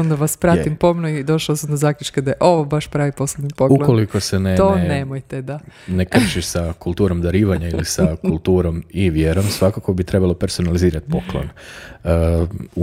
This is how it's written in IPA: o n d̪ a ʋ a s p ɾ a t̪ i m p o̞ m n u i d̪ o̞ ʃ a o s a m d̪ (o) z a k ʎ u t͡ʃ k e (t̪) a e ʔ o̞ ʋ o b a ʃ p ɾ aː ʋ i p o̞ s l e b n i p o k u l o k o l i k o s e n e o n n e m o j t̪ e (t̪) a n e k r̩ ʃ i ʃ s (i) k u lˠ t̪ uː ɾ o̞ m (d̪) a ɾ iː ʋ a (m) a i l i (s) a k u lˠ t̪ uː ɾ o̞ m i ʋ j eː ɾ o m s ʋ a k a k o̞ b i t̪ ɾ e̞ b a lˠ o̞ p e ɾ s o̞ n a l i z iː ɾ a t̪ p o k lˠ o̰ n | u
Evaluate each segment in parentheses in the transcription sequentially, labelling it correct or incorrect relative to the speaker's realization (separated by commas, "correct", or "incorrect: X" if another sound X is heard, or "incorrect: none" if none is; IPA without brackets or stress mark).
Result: correct, incorrect: d̪, incorrect: d̪, incorrect: a, correct, incorrect: ɲ, correct